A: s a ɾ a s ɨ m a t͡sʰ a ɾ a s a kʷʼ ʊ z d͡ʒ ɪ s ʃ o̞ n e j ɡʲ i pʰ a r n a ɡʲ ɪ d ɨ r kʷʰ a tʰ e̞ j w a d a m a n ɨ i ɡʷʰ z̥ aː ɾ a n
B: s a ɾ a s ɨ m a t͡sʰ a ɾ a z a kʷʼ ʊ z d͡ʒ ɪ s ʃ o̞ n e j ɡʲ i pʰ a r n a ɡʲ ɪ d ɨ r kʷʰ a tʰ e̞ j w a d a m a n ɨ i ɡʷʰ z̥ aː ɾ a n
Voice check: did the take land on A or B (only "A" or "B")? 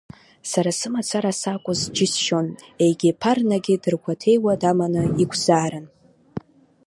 A